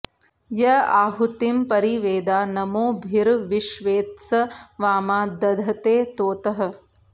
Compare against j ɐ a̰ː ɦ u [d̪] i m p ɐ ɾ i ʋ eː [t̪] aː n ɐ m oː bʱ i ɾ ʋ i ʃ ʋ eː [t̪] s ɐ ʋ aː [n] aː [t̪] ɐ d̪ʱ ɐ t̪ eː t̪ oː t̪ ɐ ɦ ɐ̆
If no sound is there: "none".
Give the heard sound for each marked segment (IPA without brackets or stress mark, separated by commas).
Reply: t̪, d̪, t̪, m, d̪